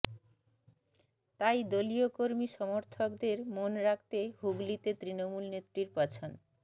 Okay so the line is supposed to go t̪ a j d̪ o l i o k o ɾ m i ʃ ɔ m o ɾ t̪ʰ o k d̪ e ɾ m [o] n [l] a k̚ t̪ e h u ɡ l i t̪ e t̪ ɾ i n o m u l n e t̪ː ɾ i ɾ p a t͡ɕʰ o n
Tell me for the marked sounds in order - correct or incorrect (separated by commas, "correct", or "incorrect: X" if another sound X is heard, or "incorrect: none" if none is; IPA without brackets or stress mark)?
correct, incorrect: ɾ